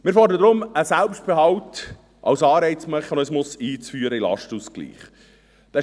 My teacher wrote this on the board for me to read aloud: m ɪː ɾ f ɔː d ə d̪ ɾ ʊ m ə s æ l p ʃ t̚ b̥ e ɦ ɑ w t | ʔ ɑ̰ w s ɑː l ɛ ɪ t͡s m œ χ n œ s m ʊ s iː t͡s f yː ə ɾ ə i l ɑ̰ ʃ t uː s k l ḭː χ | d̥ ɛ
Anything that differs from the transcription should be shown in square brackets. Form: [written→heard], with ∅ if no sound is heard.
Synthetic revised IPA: m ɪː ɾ f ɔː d ə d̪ ɾ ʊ m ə s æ l p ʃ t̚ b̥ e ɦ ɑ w t | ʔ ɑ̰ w s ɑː [l→ɾ] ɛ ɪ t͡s m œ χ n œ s m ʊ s iː t͡s f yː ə ɾ ə i l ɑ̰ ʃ t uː s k l ḭː χ | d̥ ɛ